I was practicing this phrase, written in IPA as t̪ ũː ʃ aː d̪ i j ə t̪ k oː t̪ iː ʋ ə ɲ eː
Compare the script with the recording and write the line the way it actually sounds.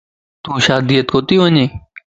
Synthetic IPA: t̪ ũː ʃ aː d̪ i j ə t̪ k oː t̪ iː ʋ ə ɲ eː